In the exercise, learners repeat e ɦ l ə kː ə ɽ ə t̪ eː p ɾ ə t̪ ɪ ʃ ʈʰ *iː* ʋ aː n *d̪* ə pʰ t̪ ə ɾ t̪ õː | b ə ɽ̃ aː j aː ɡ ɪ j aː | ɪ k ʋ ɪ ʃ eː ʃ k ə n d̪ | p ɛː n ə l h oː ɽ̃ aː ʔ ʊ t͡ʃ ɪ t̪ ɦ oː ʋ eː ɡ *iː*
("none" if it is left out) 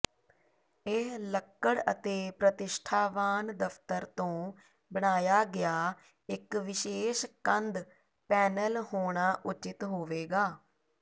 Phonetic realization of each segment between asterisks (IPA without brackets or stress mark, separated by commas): aː, d̪, aː